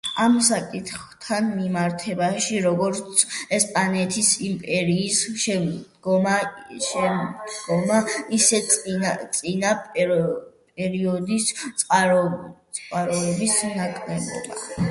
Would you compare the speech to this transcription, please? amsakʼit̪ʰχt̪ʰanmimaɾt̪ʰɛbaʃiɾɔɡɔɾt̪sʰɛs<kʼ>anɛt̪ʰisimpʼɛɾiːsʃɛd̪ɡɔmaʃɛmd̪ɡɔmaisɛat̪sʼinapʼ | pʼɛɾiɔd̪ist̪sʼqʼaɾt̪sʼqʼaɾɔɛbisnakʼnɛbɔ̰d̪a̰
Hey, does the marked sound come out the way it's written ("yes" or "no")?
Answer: no